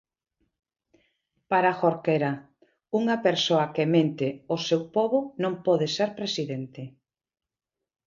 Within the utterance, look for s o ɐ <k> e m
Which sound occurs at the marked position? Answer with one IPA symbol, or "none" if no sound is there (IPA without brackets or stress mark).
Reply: k